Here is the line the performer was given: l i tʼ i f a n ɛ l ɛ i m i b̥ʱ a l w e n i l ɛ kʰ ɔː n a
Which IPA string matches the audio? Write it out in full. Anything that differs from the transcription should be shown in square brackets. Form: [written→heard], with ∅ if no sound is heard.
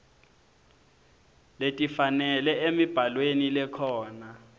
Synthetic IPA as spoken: l [i→e] tʼ i f a n ɛ l ɛ [i→e] m i b̥ʱ a l w e n i l ɛ kʰ ɔː n a